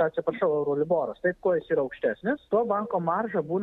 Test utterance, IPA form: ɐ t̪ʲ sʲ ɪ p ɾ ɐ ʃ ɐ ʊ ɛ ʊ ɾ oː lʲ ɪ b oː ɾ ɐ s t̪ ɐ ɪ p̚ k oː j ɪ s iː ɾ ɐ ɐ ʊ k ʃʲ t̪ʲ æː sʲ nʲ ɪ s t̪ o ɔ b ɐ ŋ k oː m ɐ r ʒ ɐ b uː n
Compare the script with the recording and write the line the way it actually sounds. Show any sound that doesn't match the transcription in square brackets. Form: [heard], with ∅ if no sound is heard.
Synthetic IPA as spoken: ɐ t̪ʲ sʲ ɪ p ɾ ɐ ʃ ɐ ʊ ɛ ʊ ɾ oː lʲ ɪ b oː ɾ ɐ s t̪ ɐ ɪ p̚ k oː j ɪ s iː ɾ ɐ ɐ ʊ k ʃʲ t̪ʲ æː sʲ nʲ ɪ s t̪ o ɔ b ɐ ŋ k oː m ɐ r ʒ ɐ b uː n